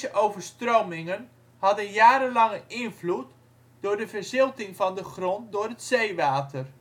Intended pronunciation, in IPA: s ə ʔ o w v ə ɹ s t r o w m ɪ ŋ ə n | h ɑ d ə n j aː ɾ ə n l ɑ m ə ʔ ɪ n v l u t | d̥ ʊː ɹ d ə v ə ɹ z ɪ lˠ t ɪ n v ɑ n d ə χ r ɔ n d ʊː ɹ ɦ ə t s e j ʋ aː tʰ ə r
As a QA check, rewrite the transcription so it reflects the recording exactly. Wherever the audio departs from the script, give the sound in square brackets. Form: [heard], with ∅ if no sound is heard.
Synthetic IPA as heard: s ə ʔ o w v ə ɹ s t r o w m ɪ ŋ ə n | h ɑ d ə n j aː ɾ ə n l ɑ [ŋ] ə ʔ ɪ n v l u t | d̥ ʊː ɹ d ə v ə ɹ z ɪ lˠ t ɪ [ŋ] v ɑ n d ə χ r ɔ n d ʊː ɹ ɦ ə t s e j ʋ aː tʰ ə r